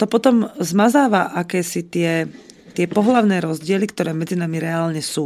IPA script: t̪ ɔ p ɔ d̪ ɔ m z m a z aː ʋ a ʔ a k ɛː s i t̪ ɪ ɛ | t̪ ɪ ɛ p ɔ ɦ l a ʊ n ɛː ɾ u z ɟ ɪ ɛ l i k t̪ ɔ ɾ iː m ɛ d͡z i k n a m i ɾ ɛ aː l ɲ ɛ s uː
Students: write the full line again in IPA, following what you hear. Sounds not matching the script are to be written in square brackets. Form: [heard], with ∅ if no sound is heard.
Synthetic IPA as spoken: t̪ ɔ p ɔ [t̪] ɔ m z m a z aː ʋ a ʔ a k ɛː s i t̪ ɪ ɛ | t̪ ɪ ɛ p ɔ ɦ l a ʊ n ɛː ɾ [ɔ] z ɟ ɪ ɛ l i k t̪ ɔ ɾ [ɛː] m ɛ d͡z i [∅] n a m i ɾ ɛ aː l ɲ ɛ s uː